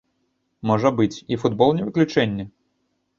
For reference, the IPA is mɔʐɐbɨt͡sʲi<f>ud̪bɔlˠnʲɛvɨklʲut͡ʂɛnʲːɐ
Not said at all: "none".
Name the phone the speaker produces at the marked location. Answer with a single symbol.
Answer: f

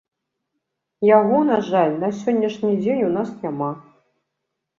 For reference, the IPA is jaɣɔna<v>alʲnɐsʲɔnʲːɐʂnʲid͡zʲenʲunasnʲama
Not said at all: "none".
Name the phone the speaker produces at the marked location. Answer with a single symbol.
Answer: ʐ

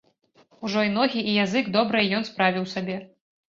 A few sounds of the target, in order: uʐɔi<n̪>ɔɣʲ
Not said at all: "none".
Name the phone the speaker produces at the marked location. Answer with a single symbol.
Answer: n̪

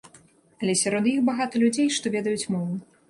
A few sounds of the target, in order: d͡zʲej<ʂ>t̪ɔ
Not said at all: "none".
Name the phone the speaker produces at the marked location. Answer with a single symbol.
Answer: ʂ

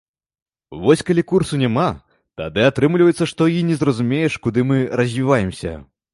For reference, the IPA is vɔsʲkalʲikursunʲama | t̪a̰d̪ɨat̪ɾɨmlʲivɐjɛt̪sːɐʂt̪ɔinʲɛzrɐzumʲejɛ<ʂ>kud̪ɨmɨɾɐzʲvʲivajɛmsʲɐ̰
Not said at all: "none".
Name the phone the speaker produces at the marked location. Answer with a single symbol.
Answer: ʂ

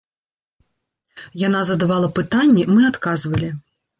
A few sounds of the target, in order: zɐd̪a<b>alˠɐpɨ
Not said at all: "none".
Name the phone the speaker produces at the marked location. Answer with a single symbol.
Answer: v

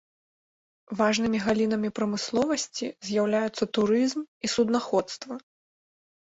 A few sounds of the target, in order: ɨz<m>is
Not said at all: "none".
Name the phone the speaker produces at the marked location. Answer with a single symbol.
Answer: m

